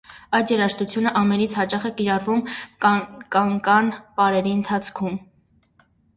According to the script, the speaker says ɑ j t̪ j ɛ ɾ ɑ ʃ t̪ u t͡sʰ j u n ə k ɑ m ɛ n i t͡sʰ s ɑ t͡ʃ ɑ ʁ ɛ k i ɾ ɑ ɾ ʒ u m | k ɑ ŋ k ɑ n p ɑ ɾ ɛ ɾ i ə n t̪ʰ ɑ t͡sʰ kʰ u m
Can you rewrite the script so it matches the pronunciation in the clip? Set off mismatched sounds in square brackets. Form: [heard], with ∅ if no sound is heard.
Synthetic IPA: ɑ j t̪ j ɛ ɾ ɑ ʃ t̪ u t͡sʰ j u n ə [ʔ] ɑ m ɛ n i t͡sʰ [h] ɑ t͡ʃ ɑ [χ] ɛ k i ɾ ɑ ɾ [v] u m | k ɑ ŋ k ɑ n p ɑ ɾ ɛ ɾ i ə n t̪ʰ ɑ t͡sʰ kʰ u m